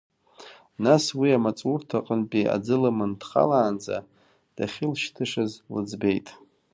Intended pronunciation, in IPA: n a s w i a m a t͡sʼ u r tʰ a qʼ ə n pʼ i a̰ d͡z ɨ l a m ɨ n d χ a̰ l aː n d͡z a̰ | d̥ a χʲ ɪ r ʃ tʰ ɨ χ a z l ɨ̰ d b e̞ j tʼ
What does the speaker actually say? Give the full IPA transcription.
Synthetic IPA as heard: n a s w i a m a t͡sʼ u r tʰ a qʼ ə n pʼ i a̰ d͡z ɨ l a m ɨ n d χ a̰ l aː n d͡z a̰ | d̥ a χʲ ɪ l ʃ tʰ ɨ ʂ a z l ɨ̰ d͡z b e̞ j tʼ